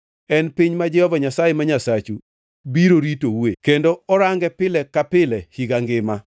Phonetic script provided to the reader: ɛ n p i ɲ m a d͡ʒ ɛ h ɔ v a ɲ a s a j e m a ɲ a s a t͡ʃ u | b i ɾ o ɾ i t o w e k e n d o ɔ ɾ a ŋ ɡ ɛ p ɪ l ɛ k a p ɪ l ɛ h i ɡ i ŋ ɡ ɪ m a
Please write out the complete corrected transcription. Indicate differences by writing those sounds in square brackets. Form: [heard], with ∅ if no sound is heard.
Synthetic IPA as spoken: ɛ n p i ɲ m a d͡ʒ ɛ h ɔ v a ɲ a s a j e m a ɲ a s a t͡ʃ u | b i ɾ o ɾ i t o w e k e n d o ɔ ɾ a ŋ ɡ ɛ p ɪ l ɛ k a p ɪ l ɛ h i ɡ [a] ŋ ɡ ɪ m a